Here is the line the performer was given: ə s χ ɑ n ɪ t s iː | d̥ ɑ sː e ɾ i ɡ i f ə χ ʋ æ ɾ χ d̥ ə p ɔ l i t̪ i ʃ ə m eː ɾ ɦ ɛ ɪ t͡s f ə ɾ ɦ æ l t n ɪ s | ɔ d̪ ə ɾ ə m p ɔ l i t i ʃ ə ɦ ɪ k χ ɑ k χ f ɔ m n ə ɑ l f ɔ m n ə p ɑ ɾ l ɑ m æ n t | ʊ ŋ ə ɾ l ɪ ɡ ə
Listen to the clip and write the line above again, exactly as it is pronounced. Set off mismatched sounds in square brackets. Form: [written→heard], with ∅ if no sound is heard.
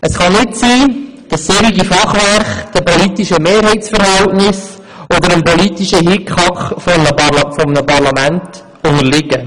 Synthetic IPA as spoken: ə s χ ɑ n ɪ t s iː | d̥ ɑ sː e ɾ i ɡ i f [ə→ɑ] χ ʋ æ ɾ χ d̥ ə p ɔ l i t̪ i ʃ ə m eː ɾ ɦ ɛ ɪ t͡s f ə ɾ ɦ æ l t n ɪ s | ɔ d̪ ə ɾ ə m p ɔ l i t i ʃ ə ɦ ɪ k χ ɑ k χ f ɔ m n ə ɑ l f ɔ m n ə p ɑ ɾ l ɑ m æ n t | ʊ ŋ ə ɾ l ɪ ɡ ə